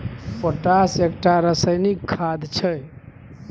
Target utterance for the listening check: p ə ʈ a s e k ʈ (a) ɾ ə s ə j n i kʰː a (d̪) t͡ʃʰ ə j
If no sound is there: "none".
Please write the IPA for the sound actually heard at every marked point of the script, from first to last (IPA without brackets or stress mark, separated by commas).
a, d̪